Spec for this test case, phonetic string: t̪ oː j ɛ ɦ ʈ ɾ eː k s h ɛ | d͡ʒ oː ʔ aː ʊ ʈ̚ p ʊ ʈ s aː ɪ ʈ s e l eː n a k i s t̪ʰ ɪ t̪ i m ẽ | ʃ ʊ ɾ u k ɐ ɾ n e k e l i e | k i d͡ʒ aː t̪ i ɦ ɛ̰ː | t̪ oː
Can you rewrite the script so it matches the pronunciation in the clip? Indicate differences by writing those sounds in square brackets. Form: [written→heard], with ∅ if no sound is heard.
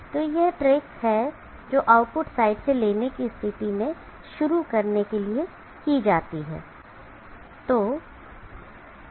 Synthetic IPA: t̪ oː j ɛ ɦ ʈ ɾ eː k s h ɛ | d͡ʒ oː ʔ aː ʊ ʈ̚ p ʊ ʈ s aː ɪ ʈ s e l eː n [a→e] k i s t̪ʰ ɪ t̪ i m ẽ | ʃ ʊ ɾ u k ɐ ɾ n e k e l i e | k i d͡ʒ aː t̪ i ɦ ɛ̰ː | t̪ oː